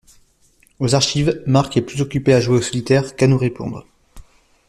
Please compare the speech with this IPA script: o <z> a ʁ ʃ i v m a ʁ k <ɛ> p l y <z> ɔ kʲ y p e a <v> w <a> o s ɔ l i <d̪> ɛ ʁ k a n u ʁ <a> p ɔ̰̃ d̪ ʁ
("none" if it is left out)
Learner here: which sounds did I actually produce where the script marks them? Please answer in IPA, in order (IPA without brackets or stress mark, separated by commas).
z, ɛ, z, ʒ, e, t̪, e